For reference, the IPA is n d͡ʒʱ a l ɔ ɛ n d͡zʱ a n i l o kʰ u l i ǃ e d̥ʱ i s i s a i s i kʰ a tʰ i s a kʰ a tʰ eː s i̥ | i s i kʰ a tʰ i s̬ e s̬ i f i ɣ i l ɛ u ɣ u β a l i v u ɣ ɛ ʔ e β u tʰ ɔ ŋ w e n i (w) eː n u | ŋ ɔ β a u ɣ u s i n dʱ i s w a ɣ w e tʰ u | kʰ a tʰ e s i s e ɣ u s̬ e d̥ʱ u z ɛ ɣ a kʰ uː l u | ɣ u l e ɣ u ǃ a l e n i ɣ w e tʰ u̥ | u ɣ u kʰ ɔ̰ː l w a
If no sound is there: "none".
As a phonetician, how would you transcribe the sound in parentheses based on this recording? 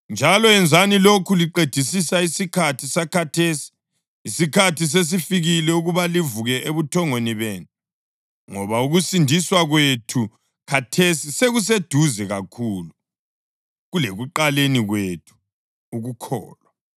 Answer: β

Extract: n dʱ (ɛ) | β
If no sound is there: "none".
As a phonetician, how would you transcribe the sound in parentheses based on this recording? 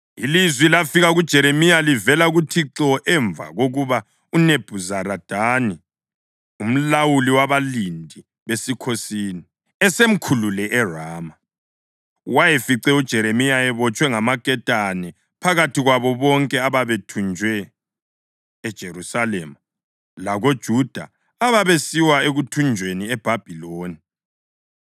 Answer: i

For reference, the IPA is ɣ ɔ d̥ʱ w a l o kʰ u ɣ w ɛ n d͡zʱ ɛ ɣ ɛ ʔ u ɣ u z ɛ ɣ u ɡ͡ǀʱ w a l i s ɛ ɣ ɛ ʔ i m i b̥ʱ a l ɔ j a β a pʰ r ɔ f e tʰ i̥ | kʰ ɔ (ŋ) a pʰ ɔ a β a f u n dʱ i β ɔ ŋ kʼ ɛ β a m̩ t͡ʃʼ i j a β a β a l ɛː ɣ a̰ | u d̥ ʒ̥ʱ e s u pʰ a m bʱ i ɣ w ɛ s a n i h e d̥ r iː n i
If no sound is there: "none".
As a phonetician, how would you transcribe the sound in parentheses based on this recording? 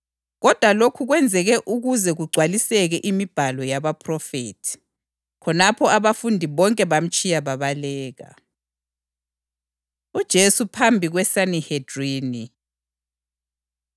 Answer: n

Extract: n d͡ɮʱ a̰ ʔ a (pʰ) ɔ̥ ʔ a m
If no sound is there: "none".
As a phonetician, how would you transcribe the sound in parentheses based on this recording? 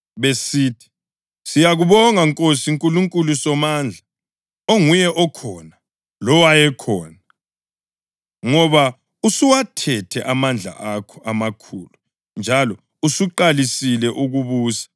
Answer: kʰ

